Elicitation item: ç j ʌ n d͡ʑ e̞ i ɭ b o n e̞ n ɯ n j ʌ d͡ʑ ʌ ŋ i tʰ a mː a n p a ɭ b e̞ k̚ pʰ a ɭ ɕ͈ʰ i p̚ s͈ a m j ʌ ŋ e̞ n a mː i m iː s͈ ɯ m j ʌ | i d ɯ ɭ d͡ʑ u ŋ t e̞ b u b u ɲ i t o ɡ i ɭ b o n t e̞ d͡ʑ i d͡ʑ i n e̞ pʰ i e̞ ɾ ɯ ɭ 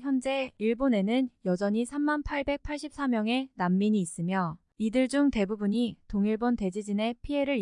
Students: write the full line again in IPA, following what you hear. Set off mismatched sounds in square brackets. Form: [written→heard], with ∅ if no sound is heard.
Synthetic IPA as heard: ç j ʌ n d͡ʑ e̞ i ɭ b o n e̞ n ɯ n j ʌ d͡ʑ ʌ [ŋ→ɲ] i [tʰ→sʰ] a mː a n [p→pʰ] a ɭ b e̞ k̚ pʰ a ɭ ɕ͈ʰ i p̚ s͈ a m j ʌ ŋ e̞ n a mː i [m→ɲ] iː s͈ ɯ m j ʌ | i d ɯ ɭ d͡ʑ u ŋ t e̞ b u b u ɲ i t o [ɡ→ŋ] i ɭ b o n t e̞ d͡ʑ i d͡ʑ i n e̞ pʰ i e̞ ɾ ɯ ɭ